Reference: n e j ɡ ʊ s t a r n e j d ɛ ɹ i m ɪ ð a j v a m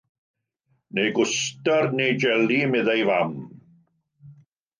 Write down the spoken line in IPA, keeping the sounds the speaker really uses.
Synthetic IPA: n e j ɡ ʊ s t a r n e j d͡ʒ ɛ l i m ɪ ð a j v a m